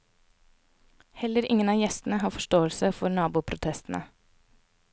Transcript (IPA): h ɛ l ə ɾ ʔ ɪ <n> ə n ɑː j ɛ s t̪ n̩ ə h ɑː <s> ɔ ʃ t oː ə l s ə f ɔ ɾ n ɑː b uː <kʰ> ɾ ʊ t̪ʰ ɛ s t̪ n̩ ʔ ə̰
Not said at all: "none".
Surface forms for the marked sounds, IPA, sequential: ŋ, f, pʰ

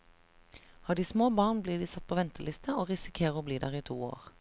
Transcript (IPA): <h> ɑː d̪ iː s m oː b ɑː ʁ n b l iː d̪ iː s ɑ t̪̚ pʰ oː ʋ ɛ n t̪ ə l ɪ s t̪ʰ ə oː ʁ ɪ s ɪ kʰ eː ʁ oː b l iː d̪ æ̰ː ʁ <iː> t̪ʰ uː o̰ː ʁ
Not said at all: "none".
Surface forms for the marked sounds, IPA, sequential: h, iː

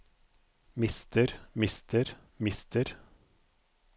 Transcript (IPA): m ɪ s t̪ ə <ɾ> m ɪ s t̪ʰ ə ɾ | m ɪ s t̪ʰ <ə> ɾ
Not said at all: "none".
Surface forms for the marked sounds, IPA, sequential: ɾ, ə

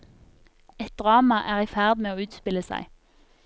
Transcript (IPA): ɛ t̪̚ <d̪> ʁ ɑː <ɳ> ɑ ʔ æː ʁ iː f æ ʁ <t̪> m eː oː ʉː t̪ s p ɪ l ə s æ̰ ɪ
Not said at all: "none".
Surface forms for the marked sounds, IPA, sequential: d̪, m, d̪

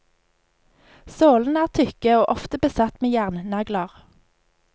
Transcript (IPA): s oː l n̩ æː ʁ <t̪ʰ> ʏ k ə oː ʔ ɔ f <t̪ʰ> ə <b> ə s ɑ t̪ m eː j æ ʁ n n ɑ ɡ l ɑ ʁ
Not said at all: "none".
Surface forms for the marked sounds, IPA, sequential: t̪ʰ, t̪, b

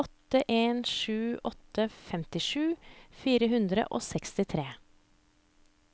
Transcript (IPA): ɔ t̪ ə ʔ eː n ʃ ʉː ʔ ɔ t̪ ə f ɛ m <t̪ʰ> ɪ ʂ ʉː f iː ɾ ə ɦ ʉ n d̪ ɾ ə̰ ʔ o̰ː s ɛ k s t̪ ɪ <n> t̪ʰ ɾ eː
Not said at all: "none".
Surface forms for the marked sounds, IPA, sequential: t̪, none

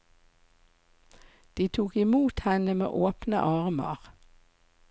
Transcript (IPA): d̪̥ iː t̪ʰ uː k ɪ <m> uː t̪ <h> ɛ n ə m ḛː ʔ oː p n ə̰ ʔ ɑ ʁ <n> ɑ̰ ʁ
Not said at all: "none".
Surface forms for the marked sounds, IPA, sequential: m, h, m

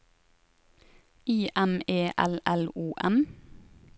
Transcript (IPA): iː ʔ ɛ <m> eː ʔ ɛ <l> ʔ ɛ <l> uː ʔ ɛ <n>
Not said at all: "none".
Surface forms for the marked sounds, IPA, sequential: m, l, l, m

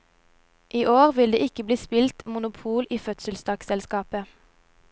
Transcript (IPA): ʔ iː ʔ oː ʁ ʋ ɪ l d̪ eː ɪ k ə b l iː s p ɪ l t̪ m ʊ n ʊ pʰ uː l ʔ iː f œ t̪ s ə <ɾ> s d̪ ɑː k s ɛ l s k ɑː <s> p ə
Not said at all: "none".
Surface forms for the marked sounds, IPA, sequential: l, none

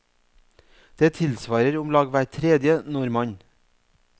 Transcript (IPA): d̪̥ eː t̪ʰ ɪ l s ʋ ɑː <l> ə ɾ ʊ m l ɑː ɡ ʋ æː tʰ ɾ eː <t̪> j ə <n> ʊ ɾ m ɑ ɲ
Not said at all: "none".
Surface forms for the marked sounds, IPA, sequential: ɾ, d̪, n

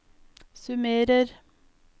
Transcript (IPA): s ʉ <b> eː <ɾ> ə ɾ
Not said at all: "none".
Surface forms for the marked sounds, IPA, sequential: m, ɾ

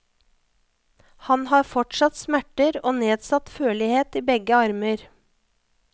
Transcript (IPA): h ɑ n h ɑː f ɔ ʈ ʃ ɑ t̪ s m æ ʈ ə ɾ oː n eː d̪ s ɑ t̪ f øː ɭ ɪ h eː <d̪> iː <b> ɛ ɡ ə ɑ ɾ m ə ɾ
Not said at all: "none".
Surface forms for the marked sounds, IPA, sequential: t̪, b

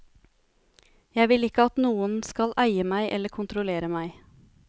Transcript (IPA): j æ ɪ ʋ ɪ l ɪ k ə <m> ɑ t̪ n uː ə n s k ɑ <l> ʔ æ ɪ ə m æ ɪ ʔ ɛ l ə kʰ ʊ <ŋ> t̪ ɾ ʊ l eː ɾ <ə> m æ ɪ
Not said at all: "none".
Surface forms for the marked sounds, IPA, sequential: none, l, n, ə

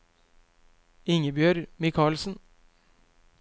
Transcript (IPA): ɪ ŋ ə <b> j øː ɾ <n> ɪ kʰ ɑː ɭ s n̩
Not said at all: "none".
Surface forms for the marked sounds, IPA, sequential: b, m

